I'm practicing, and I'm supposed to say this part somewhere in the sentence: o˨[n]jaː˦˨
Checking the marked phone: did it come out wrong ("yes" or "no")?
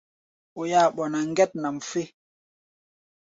yes